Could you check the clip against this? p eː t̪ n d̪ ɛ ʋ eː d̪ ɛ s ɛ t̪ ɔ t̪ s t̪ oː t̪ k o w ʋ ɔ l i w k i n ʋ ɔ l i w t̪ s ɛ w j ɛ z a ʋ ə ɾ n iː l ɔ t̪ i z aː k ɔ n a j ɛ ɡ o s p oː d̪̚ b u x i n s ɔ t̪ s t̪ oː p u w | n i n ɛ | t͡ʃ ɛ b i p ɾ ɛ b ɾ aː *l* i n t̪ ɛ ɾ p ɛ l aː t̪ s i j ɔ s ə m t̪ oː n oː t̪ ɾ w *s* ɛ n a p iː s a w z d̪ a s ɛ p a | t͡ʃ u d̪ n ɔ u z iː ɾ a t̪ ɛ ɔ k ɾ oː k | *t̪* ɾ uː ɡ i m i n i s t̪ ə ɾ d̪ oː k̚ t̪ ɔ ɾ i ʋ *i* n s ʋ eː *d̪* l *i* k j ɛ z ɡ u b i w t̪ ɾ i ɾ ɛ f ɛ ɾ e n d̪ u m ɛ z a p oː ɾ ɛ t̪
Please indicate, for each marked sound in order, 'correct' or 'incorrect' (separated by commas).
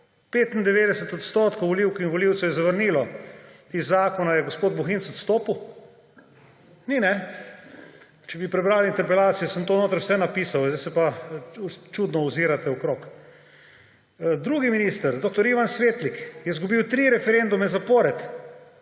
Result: correct, correct, incorrect, incorrect, incorrect, correct